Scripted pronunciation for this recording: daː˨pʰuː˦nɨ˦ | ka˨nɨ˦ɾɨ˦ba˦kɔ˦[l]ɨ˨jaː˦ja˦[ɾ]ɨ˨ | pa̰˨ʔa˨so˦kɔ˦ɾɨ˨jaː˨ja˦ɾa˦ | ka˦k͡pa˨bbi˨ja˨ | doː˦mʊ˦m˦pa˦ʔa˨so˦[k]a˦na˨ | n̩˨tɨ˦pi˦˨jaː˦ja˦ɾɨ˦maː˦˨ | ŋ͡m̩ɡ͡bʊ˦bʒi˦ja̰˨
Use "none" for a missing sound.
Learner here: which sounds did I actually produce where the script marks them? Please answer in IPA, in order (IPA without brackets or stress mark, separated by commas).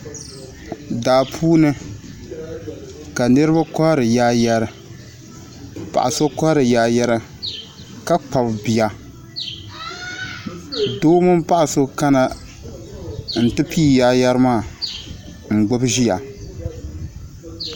ɾ, ɾ, k